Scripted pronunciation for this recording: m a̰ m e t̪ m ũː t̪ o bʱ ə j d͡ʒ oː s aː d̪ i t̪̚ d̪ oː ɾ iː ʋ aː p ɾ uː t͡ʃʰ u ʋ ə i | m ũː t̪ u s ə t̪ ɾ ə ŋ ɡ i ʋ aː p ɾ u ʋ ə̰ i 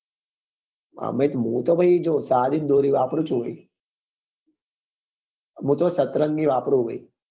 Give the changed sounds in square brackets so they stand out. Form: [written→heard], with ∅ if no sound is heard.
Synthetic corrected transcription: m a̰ m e t̪ m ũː t̪ o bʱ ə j d͡ʒ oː s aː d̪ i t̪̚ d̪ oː ɾ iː ʋ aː p ɾ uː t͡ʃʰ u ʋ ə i | m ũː t̪ [u→o] s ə t̪ ɾ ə ŋ ɡ i ʋ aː p ɾ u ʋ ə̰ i